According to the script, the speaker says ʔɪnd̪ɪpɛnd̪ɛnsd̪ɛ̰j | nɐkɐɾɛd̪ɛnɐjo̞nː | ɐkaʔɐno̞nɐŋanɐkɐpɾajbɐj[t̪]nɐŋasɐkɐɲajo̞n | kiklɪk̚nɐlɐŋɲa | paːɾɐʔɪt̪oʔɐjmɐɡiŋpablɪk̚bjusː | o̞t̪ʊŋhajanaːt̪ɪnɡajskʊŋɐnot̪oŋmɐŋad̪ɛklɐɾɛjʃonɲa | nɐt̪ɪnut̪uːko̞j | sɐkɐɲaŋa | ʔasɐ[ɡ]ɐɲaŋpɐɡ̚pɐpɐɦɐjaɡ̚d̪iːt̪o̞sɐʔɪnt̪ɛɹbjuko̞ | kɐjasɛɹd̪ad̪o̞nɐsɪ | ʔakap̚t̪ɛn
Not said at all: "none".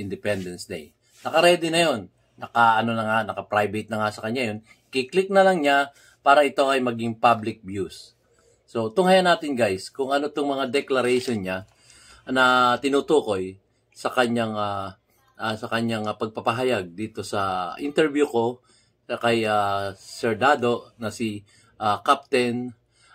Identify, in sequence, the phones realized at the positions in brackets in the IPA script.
t̪, k

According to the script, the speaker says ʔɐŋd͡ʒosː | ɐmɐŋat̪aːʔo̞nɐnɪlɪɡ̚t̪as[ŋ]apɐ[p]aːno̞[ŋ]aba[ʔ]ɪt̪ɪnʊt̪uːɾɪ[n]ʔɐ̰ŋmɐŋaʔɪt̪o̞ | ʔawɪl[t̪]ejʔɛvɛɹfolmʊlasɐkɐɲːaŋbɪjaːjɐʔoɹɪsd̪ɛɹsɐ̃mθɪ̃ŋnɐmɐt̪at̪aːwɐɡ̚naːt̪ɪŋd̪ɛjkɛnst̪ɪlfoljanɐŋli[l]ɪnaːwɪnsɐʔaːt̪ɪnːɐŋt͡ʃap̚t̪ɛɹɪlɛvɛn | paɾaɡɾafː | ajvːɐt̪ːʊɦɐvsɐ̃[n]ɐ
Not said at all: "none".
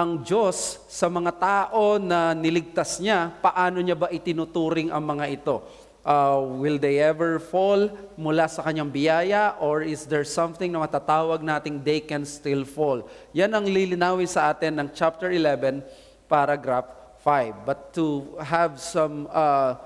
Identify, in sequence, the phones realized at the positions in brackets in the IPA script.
ɲ, ʔ, ɲ, ʔ, ŋ, d̪, l, m

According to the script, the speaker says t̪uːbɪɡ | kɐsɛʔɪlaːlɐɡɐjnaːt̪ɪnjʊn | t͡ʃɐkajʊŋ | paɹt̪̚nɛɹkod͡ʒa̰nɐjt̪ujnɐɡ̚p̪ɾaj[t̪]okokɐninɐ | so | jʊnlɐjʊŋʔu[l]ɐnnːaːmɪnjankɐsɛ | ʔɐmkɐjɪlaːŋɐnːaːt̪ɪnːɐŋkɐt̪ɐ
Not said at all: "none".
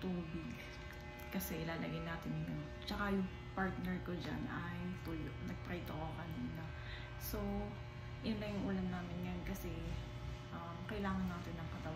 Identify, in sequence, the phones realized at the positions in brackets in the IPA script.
t̪, l

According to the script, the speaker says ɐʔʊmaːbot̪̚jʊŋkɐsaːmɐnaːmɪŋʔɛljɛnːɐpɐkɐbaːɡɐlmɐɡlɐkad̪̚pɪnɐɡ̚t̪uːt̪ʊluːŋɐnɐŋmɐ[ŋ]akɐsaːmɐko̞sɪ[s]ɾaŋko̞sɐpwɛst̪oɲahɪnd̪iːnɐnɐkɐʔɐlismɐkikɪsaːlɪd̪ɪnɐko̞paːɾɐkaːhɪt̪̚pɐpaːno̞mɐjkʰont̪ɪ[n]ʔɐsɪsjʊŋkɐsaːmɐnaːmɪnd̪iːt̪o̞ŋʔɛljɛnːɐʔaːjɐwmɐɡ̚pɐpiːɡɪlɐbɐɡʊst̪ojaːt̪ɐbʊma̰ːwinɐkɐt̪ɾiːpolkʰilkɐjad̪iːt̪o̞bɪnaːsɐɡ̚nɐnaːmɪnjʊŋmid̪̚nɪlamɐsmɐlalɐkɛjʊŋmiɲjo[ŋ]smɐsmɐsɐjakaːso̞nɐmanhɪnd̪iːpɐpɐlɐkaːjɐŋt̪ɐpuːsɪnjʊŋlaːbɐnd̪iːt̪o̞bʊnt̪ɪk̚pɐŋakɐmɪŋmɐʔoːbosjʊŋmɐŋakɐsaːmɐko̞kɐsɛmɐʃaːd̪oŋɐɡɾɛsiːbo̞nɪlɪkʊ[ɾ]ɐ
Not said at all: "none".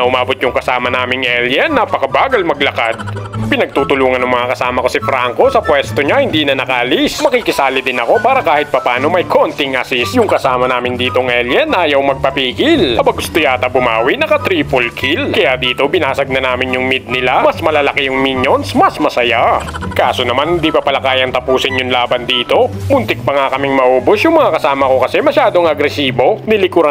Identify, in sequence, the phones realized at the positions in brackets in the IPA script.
ŋ, f, ŋ, n, ɾ

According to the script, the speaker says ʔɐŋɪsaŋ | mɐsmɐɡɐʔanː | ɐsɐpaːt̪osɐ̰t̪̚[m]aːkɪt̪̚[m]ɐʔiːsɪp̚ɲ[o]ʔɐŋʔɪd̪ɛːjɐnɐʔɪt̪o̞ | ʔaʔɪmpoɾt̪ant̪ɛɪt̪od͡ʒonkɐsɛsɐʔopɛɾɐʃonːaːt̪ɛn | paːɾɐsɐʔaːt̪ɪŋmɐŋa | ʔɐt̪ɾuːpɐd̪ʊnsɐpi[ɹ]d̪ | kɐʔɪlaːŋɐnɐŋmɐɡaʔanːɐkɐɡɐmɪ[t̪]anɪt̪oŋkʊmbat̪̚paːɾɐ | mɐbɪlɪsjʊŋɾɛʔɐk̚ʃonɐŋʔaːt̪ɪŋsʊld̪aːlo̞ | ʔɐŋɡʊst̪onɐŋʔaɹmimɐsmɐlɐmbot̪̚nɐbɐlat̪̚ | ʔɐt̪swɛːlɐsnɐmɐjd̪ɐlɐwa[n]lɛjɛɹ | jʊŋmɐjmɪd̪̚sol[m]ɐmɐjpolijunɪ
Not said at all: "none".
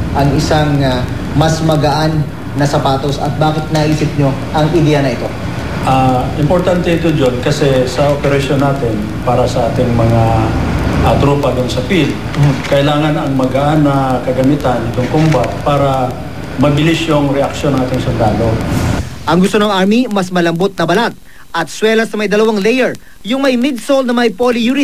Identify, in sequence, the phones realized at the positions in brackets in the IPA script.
b, n, o, l, t̪, ŋ, n

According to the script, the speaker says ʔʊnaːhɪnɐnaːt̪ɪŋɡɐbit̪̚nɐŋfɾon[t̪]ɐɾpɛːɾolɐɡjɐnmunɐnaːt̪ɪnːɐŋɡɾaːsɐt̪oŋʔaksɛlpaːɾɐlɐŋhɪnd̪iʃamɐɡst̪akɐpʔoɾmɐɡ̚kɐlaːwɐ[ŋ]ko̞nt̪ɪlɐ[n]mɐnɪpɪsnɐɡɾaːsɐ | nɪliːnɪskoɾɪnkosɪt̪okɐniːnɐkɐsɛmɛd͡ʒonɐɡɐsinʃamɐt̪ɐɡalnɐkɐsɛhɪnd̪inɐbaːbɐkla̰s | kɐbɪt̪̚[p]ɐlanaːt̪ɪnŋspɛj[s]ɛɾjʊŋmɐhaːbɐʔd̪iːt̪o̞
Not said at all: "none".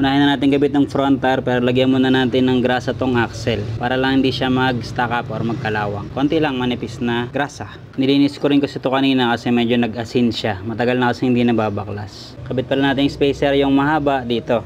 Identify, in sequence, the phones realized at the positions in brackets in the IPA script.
t̪, ŋ, ŋ, p, s

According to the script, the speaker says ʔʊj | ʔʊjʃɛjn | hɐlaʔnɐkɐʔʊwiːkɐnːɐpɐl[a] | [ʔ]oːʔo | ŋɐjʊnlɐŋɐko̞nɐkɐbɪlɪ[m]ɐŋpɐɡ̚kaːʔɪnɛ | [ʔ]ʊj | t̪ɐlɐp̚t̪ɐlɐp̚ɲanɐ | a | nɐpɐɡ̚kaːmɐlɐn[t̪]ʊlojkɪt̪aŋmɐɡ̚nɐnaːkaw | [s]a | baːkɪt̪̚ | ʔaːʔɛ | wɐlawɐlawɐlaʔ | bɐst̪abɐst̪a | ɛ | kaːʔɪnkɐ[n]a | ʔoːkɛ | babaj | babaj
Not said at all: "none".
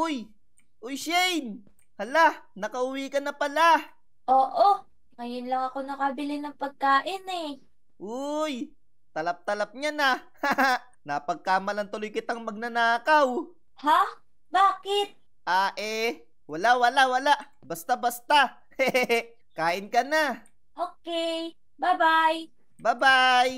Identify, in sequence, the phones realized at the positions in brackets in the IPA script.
a, ʔ, n, ʔ, t̪, h, n

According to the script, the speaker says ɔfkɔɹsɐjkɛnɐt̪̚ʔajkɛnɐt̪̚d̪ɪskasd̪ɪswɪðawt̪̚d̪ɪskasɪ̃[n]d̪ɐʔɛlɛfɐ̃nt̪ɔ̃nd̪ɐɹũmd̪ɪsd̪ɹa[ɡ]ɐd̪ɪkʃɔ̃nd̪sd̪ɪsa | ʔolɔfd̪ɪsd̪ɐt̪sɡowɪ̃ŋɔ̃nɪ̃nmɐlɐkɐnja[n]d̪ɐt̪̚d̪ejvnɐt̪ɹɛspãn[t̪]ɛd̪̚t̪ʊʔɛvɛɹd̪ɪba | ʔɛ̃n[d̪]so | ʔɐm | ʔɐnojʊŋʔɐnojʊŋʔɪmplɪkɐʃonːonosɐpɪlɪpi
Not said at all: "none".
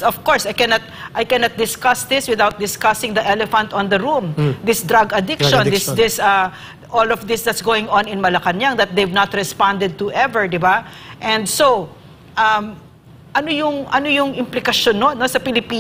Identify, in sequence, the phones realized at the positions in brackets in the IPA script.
ŋ, ɡ, ŋ, d̪, d̪

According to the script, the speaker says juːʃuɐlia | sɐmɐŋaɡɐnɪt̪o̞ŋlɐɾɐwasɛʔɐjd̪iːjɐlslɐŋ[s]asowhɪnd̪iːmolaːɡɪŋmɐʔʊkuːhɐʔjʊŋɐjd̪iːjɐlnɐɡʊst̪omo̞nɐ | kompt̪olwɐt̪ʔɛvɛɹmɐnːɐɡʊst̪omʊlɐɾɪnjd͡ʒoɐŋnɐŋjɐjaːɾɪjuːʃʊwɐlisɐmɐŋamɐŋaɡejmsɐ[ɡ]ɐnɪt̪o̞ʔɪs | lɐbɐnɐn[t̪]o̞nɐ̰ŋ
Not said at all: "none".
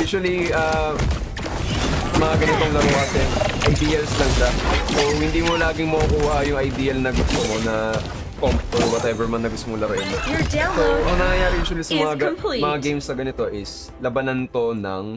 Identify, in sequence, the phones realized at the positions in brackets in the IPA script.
ʃ, ɡ, t̪

